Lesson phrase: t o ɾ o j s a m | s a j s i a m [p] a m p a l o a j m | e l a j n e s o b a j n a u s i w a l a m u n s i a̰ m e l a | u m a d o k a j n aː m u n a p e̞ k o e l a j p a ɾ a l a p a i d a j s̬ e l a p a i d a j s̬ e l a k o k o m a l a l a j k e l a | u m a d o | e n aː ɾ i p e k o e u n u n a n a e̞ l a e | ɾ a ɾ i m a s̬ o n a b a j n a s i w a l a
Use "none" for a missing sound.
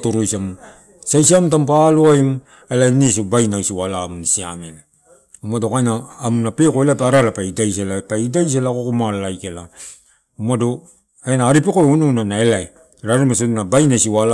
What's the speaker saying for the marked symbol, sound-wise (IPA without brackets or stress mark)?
t